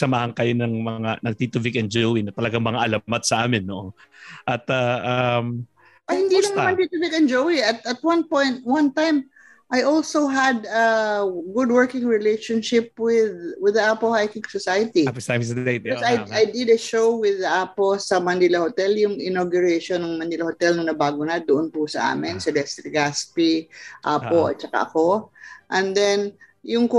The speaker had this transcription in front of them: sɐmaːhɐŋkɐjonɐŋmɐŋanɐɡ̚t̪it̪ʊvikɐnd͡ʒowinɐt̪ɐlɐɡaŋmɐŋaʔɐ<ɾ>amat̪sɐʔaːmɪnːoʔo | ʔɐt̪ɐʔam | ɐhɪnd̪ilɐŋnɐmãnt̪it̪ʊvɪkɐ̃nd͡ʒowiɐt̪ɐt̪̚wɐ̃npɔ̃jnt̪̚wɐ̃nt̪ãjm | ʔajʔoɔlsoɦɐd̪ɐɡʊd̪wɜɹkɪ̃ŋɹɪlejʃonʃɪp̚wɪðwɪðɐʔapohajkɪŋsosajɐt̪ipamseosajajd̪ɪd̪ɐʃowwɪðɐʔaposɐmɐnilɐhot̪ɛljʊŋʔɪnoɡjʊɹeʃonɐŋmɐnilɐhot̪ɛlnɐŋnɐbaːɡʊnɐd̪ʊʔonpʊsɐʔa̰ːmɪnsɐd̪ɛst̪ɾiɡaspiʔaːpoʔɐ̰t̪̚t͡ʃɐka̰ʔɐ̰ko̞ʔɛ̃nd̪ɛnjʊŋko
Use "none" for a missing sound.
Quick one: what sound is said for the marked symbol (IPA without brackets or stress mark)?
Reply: l